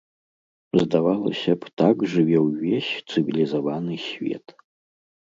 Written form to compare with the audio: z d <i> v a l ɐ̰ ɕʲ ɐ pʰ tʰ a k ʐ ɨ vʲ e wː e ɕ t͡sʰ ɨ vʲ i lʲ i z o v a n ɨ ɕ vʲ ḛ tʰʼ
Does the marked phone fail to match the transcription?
yes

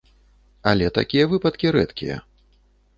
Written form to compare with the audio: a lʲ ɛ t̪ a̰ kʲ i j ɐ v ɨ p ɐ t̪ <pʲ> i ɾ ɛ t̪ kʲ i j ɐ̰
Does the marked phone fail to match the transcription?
yes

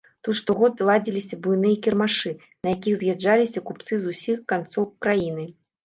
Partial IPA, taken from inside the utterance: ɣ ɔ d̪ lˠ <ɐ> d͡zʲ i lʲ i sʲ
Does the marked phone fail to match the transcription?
yes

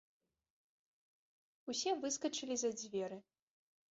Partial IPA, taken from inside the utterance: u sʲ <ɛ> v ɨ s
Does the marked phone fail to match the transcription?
no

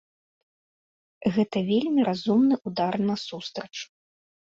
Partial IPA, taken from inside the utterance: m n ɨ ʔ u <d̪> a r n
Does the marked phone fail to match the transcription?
no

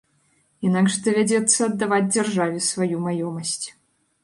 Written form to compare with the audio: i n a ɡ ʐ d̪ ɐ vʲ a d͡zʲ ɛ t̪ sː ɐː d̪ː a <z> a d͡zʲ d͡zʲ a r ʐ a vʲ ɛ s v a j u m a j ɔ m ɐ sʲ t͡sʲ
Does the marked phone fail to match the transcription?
yes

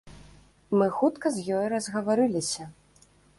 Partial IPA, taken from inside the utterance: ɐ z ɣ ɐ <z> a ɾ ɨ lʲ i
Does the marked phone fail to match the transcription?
yes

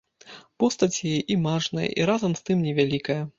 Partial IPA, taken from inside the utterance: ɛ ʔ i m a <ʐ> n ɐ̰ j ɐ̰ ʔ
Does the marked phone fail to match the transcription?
no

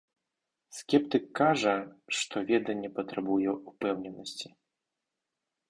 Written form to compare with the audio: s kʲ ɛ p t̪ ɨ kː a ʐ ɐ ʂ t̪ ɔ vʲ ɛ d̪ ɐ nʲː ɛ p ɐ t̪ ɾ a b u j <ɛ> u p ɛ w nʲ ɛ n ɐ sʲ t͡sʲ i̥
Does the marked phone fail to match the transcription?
no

